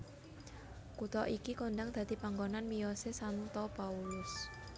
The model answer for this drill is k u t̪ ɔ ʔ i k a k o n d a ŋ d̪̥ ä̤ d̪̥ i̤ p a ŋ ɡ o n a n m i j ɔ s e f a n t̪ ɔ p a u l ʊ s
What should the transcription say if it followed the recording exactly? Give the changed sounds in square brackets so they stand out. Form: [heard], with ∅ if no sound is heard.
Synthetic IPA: k u t̪ ɔ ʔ i k [i] k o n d a ŋ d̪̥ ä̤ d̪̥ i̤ p a ŋ ɡ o n a n m i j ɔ s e [s] a n t̪ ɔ p a u l ʊ s